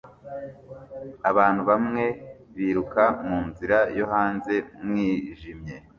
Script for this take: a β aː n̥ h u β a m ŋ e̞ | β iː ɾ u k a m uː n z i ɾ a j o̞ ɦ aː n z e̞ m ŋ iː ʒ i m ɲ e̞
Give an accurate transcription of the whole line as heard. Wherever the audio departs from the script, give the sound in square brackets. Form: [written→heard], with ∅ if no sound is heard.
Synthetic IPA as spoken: a β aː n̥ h u β a m ŋ e̞ | β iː ɾ u k a m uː n z i ɾ a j o̞ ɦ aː n z e̞ m ŋ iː ʒ i m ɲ e̞